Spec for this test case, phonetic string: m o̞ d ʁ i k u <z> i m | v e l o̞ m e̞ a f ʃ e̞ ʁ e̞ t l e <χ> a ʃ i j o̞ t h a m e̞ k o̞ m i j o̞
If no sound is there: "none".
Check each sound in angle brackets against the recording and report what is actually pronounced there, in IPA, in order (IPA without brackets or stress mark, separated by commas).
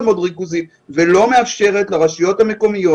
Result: z, ʁ